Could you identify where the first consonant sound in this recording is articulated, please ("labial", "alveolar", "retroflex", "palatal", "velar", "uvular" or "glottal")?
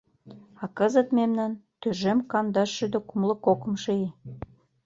velar